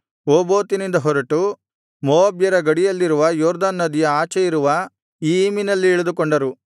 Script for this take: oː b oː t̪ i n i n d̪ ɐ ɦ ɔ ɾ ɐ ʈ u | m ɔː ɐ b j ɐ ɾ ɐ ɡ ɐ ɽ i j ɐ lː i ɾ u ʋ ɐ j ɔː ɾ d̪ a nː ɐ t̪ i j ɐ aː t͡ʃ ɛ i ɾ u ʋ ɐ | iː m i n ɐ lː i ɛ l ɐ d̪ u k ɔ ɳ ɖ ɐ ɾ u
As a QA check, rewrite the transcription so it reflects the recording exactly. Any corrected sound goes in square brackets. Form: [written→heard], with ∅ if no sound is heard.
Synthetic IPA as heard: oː b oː t̪ i n i n d̪ ɐ ɦ ɔ ɾ ɐ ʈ u | m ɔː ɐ b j ɐ ɾ ɐ ɡ ɐ ɽ i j ɐ lː i ɾ u ʋ ɐ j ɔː ɾ d̪ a nː ɐ [t̪→d̪] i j ɐ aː t͡ʃ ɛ i ɾ u ʋ ɐ | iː m i n ɐ lː i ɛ [l→ɭ] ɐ d̪ u k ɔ ɳ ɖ ɐ ɾ u

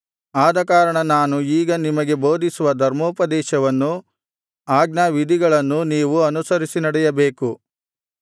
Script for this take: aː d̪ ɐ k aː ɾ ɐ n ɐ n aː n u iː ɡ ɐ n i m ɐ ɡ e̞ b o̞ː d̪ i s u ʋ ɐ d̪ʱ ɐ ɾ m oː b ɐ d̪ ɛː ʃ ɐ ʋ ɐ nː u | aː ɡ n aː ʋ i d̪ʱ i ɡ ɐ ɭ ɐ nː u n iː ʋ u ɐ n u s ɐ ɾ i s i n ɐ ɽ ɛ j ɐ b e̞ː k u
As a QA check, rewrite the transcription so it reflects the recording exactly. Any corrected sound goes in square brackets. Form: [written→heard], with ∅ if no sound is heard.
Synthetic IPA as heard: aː d̪ ɐ k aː ɾ ɐ [n→ɳ] ɐ n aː n u iː ɡ ɐ n i m ɐ ɡ e̞ b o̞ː d̪ i s u ʋ ɐ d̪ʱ ɐ ɾ m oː [b→p] ɐ d̪ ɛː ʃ ɐ ʋ ɐ nː u | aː ɡ n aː ʋ i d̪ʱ i ɡ ɐ ɭ ɐ nː u n iː ʋ u ɐ n u s ɐ ɾ i s i n ɐ ɽ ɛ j ɐ b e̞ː k u

